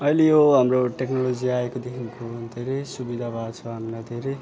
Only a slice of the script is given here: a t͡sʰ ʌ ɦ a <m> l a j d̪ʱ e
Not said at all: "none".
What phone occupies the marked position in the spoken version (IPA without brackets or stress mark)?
m